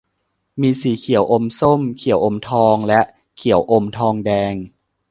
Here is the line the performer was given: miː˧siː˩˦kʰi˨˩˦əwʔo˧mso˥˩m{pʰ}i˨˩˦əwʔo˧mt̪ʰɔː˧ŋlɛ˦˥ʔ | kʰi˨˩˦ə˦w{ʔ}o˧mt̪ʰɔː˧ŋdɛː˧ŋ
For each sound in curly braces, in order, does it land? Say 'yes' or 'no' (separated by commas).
no, yes